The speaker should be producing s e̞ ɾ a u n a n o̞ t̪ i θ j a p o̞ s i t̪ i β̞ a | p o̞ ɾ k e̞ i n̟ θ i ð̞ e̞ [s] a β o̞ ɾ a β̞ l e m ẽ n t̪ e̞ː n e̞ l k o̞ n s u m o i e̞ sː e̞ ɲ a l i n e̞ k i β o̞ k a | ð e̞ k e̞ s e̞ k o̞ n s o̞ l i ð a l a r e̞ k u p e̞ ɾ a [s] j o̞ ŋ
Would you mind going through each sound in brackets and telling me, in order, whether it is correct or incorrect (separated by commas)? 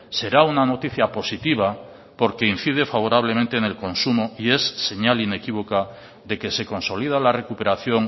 incorrect, incorrect